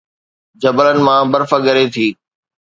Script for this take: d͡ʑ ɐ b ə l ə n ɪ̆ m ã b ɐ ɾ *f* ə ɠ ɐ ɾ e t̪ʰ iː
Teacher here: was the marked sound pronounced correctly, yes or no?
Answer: yes